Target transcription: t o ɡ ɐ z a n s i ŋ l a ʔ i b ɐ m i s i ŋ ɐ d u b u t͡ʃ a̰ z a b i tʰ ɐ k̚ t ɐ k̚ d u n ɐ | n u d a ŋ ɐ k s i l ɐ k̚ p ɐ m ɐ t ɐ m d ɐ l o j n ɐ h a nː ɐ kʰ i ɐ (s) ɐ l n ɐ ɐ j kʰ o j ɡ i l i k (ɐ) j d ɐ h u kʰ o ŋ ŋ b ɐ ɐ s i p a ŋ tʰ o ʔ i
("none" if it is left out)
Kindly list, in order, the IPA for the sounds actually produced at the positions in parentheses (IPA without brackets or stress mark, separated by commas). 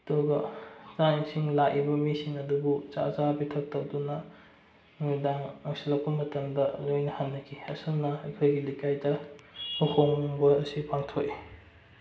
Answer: s, a